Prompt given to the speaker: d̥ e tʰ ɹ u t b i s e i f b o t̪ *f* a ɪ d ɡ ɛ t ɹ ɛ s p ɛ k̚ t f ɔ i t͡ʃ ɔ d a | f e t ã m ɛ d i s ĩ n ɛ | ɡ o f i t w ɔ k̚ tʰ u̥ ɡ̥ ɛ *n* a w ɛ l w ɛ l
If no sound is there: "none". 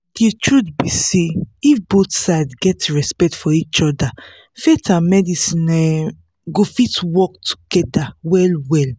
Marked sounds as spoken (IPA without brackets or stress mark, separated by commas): s, d